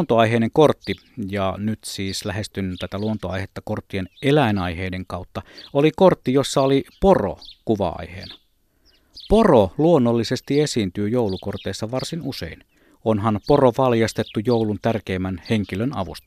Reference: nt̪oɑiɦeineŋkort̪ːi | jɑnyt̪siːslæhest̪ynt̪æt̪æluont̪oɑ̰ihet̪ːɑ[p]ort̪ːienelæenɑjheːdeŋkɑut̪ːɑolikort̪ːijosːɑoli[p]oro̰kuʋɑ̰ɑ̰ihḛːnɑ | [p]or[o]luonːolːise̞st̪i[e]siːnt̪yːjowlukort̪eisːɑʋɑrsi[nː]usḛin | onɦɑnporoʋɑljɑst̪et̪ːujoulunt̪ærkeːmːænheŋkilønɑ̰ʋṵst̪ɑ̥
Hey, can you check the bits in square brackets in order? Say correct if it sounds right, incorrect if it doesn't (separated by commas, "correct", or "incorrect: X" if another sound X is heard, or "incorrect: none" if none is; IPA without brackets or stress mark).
incorrect: k, correct, correct, correct, correct, incorrect: n